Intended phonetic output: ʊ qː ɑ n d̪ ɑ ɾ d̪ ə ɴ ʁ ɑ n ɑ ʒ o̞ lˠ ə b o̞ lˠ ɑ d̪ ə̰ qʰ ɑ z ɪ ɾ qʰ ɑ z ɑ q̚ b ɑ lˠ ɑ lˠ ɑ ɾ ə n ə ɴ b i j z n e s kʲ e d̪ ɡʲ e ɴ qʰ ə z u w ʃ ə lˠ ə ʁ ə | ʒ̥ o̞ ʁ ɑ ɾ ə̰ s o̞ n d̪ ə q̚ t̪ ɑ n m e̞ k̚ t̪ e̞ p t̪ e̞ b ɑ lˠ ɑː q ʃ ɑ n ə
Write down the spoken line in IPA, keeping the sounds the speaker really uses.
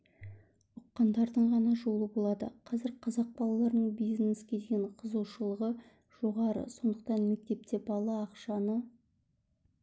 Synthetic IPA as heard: ʊ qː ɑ n d̪ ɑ ɾ d̪ ə ɴ ʁ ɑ n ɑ ʒ o̞ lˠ ə b o̞ lˠ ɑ d̪ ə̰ qʰ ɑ z ɪ ɾ qʰ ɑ z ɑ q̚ b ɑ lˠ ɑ lˠ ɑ ɾ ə n ə ɴ b i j z n e s kʲ e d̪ ɡʲ e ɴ qʰ ə z u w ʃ ə lˠ ə ʁ ə | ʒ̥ o̞ ʁ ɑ ɾ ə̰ s o̞ n d̪ ə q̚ t̪ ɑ n m e̞ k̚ t̪ e̞ p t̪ e̞ b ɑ lˠ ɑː q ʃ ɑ n ə